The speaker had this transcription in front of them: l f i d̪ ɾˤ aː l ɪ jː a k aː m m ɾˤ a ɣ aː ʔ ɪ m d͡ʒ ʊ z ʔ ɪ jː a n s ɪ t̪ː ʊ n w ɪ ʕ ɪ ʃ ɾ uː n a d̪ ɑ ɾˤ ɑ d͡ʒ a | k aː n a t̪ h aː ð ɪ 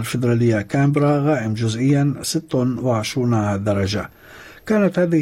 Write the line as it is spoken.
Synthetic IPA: l f ɪ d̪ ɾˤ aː l ɪ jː a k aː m b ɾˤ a ɣ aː ʔ ɪ m d͡ʒ ʊ z ʔ ɪ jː a n s ɪ t̪ː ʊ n w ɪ ʕ ɪ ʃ ɾ uː n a d̪ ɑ ɾˤ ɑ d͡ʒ a | k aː n a t̪ h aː ð ɪ